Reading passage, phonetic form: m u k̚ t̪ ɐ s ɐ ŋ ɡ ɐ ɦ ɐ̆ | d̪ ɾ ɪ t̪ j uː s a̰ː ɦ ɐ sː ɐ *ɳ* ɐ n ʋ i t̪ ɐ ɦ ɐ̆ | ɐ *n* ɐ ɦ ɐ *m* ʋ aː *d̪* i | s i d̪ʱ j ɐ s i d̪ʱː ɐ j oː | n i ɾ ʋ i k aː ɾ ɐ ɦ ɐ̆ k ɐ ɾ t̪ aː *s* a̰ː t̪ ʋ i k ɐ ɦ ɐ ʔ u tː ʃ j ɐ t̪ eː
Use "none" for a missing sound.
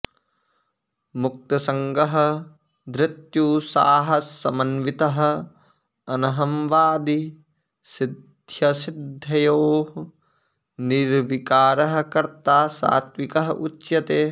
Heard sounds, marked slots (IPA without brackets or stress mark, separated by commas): m, n, m, d̪, s